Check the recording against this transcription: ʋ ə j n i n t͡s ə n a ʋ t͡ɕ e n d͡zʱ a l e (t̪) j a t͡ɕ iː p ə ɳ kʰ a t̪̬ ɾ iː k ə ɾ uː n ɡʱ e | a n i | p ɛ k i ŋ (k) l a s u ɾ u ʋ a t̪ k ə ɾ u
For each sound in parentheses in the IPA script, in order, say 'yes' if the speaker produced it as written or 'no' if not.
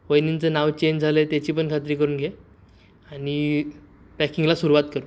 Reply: yes, no

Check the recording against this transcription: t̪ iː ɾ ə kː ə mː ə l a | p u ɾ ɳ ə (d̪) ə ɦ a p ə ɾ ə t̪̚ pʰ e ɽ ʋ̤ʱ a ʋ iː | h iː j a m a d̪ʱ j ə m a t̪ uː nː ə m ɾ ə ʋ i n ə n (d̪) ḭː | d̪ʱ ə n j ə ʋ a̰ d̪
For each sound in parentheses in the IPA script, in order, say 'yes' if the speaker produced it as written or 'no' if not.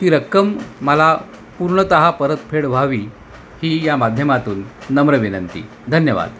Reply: no, no

